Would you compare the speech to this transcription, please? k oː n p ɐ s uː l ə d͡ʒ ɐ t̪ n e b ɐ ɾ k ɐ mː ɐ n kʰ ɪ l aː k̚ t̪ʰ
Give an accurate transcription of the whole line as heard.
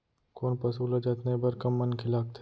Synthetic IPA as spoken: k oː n p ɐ s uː l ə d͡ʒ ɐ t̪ n e b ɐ ɾ k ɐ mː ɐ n kʰ ɪ l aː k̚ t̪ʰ